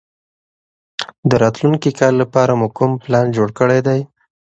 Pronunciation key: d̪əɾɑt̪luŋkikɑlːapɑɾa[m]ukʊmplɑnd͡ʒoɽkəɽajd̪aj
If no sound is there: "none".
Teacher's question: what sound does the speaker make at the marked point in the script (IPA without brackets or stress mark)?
m